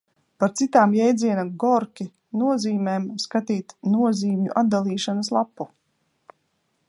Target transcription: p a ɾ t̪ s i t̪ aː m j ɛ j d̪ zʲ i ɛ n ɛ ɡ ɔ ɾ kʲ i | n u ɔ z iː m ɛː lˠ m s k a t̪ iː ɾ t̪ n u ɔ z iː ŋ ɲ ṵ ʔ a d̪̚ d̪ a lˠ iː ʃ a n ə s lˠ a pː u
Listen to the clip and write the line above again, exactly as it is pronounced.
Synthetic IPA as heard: p a ɾ t̪ s i t̪ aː m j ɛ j d̪ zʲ i ɛ n a ɡ ɔ ɾ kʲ i | n u ɔ z iː m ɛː m s k a t̪ iː t̪ n u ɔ z iː m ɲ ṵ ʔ a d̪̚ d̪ a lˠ iː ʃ a n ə s lˠ a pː u